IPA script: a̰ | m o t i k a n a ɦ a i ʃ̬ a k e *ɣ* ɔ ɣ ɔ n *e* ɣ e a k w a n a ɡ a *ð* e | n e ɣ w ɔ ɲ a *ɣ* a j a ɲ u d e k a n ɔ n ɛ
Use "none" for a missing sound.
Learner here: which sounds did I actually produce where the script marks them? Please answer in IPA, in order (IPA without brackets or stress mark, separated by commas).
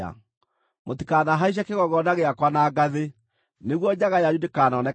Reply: ɣ, a, ð, ɣ